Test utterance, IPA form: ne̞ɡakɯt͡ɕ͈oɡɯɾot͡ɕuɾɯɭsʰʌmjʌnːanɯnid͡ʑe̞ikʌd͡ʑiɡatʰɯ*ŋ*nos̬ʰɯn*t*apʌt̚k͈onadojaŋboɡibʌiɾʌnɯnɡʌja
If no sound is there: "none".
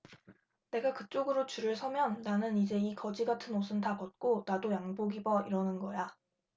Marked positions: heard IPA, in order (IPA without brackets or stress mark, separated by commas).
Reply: none, t